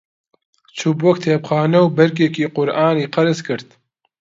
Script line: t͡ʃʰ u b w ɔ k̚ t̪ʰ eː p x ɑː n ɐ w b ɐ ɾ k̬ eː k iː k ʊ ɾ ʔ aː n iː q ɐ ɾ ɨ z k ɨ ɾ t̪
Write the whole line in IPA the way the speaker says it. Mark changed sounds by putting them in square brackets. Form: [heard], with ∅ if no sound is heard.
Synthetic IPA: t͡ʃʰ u b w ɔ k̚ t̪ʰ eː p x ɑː n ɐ w b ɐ ɾ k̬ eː k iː [q] ʊ ɾ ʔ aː n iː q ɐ ɾ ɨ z k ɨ ɾ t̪